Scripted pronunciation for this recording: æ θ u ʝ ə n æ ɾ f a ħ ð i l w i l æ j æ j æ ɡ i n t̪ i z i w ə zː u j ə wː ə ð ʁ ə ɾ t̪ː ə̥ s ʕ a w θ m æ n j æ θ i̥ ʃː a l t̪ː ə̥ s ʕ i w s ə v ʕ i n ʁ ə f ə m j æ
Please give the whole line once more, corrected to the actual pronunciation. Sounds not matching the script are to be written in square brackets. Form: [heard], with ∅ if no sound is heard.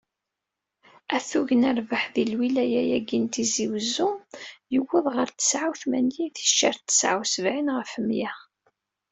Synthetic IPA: æ θ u ʝ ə n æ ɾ [v] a ħ ð i l w i l æ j æ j æ ɡ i n t̪ i z i w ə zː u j ə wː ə ð ʁ ə ɾ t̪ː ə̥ s ʕ a w θ m æ n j [i] θ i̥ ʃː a [ɾ] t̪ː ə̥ s ʕ [a] w s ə v ʕ i n ʁ ə f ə m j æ